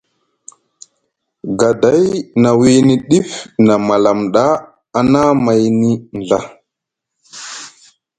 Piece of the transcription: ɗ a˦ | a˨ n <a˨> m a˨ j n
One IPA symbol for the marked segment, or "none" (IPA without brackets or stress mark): a˦